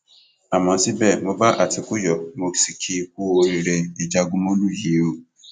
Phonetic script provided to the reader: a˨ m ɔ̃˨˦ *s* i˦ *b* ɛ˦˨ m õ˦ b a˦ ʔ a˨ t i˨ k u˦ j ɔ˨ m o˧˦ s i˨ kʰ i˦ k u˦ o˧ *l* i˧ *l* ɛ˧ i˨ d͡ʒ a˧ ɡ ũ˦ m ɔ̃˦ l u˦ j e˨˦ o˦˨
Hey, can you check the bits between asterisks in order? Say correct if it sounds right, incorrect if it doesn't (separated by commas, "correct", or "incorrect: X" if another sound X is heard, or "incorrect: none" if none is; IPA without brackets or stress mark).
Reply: correct, correct, incorrect: ɾ, incorrect: ɾ